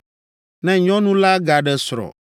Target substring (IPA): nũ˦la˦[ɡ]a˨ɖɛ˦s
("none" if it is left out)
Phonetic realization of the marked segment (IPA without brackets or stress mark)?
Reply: ɡ